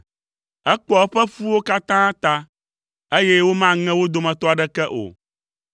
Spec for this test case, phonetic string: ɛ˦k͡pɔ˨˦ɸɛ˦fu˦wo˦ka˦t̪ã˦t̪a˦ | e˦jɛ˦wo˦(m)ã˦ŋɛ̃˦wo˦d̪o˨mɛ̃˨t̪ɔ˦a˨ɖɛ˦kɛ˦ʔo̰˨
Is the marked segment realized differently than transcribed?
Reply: no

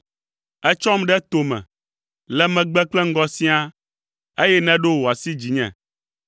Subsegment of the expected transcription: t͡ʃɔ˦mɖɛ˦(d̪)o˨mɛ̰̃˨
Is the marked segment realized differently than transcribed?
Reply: yes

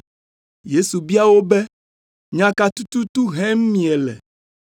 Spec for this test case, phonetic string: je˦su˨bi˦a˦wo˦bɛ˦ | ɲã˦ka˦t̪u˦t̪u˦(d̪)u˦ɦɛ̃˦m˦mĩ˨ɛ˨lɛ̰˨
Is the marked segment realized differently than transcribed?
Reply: yes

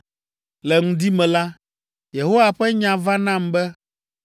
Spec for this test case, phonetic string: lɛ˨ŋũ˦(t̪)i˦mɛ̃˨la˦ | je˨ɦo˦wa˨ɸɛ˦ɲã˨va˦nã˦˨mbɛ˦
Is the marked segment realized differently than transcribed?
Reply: yes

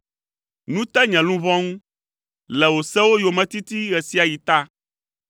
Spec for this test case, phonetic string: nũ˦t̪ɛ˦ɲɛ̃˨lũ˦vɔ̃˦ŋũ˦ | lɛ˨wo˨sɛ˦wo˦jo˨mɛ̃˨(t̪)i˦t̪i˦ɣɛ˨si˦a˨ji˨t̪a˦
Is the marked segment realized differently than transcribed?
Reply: no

